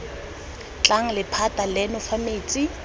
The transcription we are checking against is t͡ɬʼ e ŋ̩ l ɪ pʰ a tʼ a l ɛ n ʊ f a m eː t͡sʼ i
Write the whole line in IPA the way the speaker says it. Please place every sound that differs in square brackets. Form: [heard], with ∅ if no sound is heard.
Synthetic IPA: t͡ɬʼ [a] ŋ̩ l ɪ pʰ a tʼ a l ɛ n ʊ f a m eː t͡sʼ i